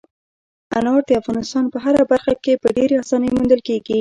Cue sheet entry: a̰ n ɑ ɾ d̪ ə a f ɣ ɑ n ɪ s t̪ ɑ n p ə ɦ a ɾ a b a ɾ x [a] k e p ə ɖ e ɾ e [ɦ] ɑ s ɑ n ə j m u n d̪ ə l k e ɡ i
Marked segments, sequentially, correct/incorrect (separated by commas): correct, incorrect